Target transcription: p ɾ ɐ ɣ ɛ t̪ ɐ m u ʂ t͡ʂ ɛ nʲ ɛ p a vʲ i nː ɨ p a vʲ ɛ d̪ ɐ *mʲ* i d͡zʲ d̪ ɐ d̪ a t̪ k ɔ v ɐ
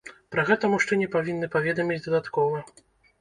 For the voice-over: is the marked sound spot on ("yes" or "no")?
yes